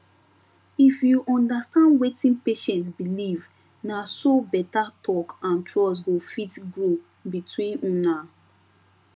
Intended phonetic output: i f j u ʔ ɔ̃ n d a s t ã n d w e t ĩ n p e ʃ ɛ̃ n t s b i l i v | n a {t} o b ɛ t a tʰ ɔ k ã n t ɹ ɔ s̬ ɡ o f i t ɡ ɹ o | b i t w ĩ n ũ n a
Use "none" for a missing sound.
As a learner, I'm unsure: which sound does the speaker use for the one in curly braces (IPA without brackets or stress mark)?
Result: s